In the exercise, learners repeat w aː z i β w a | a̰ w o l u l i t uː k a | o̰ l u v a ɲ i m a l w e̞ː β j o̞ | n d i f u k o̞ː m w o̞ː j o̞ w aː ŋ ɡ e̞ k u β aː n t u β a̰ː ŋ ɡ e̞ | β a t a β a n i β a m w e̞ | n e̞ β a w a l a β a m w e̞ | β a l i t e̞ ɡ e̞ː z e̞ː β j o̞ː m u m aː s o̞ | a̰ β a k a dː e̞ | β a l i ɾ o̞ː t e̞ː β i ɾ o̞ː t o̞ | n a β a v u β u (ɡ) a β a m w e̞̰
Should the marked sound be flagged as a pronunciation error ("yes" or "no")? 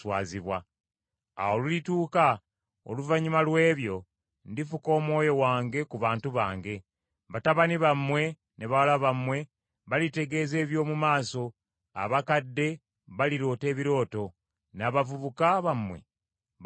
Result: yes